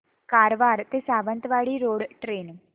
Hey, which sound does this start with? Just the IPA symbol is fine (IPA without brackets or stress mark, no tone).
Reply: k